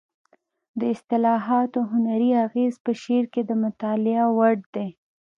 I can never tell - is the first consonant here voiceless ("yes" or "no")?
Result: no